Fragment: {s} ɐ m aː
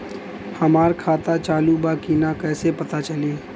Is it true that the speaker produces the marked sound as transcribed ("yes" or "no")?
no